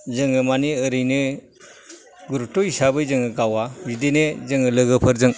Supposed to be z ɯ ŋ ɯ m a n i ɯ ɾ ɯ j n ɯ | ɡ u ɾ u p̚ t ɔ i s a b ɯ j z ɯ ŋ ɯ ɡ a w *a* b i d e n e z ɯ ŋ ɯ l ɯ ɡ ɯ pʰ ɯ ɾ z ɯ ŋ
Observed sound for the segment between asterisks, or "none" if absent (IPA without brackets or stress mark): a